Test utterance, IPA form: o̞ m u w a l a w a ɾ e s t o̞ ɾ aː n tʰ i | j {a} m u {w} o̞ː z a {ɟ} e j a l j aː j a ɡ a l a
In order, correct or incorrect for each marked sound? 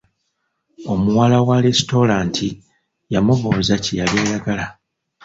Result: correct, incorrect: β, incorrect: c

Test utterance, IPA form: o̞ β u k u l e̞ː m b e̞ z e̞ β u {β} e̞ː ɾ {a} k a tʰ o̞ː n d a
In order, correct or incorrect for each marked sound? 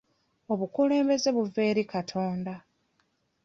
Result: incorrect: v, incorrect: i

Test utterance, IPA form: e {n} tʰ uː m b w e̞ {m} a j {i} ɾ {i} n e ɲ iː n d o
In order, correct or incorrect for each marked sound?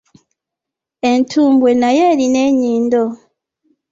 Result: correct, incorrect: n, incorrect: e, correct

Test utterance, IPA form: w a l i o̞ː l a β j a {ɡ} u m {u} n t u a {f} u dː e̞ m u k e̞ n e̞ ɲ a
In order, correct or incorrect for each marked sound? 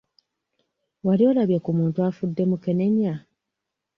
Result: incorrect: k, incorrect: uː, correct

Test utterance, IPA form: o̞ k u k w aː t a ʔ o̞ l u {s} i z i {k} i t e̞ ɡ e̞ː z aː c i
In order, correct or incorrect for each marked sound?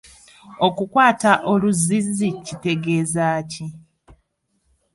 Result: incorrect: z, incorrect: c

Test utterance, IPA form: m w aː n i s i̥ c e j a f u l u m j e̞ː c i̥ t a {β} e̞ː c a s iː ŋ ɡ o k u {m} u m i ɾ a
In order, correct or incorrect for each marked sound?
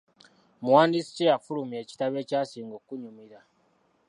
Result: correct, incorrect: ɲ

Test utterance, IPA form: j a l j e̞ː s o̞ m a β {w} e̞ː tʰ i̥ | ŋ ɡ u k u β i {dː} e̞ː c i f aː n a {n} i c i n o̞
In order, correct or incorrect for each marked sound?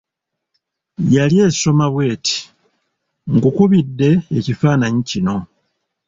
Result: correct, correct, incorrect: ɲ

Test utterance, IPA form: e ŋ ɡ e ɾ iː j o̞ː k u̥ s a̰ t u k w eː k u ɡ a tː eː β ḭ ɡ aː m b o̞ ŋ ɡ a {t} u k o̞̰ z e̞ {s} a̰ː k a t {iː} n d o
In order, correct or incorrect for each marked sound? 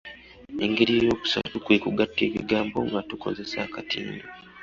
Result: correct, correct, correct

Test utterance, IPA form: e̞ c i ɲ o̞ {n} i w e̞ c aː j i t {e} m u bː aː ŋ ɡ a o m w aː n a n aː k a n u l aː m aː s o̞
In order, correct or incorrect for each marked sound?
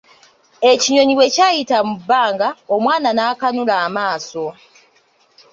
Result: incorrect: ɲ, incorrect: a

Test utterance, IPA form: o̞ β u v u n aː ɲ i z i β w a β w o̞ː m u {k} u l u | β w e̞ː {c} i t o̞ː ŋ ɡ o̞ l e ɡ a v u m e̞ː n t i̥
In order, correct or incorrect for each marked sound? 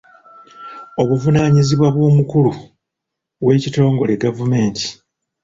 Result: correct, correct

